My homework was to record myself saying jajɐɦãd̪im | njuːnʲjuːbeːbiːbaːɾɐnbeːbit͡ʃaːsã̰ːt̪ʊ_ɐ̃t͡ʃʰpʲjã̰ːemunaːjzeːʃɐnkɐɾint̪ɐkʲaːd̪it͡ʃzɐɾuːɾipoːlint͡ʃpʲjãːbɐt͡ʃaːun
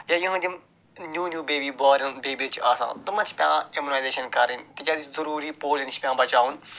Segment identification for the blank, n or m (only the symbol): m